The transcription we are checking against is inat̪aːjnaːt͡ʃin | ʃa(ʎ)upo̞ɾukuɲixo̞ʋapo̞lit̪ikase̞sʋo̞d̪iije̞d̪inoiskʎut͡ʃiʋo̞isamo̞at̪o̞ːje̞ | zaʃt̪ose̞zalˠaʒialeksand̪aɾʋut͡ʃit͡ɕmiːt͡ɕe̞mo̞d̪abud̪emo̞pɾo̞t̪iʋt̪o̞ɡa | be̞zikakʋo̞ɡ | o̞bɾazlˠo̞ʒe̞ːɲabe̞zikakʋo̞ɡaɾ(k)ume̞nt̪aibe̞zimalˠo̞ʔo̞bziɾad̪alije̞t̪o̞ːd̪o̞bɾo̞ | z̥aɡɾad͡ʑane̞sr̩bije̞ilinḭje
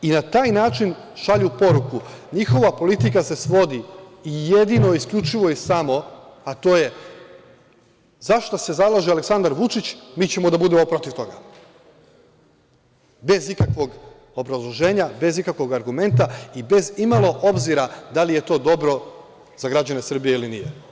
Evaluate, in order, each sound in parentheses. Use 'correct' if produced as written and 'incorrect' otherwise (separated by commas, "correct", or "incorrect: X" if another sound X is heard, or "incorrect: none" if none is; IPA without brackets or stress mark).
correct, incorrect: ɡ